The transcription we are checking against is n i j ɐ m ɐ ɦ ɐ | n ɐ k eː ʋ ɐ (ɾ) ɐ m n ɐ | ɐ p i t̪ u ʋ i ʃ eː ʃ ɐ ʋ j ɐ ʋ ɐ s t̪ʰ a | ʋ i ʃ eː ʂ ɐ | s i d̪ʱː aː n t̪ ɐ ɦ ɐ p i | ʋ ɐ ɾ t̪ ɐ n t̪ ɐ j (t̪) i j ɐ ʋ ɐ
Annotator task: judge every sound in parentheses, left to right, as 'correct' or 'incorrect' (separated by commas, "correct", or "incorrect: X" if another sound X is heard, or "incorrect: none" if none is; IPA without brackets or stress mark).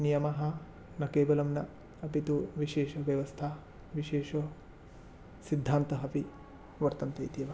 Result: incorrect: l, correct